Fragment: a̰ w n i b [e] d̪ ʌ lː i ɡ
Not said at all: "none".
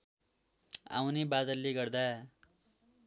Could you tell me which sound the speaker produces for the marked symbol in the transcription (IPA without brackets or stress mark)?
a